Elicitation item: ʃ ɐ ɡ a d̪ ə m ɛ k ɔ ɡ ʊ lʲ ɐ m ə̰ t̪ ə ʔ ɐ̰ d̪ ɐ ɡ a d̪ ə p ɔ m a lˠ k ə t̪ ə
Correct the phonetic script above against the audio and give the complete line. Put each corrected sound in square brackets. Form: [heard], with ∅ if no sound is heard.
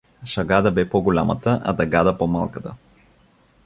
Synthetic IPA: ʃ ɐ ɡ a d̪ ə [b] ɛ [p] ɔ ɡ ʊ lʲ [a] m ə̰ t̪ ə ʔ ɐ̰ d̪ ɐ ɡ a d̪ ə p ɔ m a lˠ k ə t̪ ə